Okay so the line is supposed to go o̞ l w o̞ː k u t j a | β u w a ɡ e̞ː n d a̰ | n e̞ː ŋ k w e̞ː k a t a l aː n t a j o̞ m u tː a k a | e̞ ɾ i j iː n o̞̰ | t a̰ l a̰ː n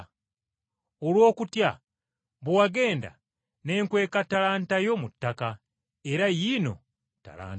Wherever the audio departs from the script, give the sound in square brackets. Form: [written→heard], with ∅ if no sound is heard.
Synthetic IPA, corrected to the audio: o̞ l w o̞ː k u t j a | β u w a ɡ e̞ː n d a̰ | n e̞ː ŋ k w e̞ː k a t a l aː n t a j o̞ m u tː a k a | e̞ ɾ [i→a] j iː n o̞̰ | t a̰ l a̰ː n